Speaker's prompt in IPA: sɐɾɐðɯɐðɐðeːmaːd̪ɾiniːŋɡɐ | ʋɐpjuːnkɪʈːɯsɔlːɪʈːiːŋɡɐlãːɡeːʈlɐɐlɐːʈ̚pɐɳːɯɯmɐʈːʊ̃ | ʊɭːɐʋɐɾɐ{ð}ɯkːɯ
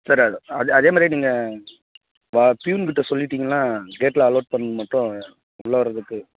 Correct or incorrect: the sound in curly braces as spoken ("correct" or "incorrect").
correct